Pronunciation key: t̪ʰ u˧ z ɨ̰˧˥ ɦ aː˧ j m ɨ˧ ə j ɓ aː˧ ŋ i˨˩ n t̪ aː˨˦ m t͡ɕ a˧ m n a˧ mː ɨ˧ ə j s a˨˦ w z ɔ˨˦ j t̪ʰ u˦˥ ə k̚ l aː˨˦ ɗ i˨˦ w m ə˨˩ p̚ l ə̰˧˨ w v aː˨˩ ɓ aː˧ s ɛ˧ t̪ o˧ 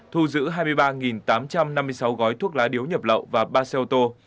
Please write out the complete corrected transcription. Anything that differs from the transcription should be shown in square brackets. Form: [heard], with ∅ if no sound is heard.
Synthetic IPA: t̪ʰ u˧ z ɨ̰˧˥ ɦ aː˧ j m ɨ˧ ə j ɓ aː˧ ŋ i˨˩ n t̪ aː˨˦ m t͡ɕ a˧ m n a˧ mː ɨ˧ ə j s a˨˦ w [ɣ] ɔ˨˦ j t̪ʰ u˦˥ ə k̚ l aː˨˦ ɗ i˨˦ w [ɲ] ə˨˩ p̚ l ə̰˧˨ w v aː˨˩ ɓ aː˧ s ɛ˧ t̪ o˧